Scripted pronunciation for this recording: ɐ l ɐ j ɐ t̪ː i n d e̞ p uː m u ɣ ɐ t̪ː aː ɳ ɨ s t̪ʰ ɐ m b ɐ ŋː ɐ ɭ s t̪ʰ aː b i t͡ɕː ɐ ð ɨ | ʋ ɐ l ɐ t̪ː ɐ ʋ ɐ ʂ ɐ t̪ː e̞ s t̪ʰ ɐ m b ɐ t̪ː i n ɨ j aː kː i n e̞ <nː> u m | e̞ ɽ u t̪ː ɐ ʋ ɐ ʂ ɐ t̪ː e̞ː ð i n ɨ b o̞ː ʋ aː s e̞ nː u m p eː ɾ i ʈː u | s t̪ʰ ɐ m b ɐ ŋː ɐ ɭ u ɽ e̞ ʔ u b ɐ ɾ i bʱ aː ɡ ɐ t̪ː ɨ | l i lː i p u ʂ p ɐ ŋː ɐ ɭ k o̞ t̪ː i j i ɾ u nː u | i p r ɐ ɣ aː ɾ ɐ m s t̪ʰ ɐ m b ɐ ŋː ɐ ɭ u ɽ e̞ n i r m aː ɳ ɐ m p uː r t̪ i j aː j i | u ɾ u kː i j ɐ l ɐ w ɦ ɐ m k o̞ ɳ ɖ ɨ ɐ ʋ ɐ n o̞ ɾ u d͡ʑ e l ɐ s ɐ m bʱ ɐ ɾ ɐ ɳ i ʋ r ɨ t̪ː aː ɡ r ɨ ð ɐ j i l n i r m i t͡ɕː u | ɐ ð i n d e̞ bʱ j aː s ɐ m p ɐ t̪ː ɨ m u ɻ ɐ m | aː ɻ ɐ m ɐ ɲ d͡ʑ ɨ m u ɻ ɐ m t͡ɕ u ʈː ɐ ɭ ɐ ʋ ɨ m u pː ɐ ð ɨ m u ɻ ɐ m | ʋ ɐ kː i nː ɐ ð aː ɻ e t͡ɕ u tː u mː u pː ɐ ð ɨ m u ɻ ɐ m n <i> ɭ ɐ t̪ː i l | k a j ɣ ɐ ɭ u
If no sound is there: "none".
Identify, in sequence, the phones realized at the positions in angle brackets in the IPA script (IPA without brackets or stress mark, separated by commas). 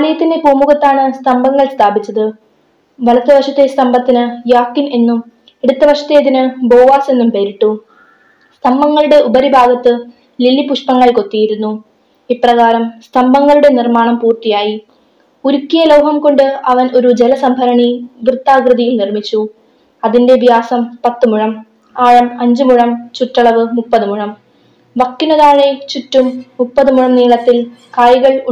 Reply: nː, iː